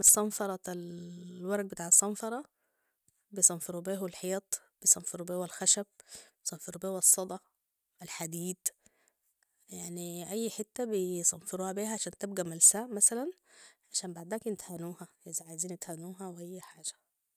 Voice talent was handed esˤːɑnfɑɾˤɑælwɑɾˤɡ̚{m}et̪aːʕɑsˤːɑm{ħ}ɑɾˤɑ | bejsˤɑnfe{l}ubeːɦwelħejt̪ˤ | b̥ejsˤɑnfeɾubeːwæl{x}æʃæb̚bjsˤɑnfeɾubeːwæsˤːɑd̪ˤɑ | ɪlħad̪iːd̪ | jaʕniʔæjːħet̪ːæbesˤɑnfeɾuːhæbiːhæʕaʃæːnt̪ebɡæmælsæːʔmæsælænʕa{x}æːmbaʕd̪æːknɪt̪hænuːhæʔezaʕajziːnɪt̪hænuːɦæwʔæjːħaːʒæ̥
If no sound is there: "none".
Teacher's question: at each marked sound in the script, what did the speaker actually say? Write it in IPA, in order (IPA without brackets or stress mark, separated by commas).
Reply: b, f, ɾ, x, ʃ